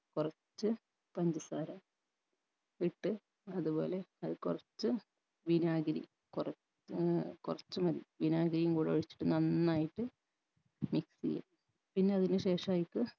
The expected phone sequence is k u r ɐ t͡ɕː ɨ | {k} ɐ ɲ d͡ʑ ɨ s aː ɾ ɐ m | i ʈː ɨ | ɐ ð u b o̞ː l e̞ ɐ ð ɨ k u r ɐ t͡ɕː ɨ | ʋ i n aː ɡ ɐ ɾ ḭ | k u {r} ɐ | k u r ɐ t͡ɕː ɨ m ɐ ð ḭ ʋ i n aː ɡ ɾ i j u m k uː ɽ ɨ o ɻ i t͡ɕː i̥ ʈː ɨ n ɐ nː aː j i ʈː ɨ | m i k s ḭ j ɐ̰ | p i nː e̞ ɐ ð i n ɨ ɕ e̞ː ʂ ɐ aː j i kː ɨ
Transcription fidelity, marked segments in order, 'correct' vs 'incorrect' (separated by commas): incorrect, correct